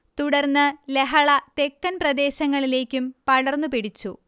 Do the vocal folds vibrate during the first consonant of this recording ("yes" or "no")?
no